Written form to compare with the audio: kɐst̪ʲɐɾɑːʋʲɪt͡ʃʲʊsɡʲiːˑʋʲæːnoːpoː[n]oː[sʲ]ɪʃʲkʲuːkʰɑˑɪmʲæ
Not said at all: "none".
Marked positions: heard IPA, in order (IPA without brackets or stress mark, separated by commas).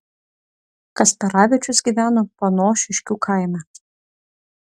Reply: n, ʃʲ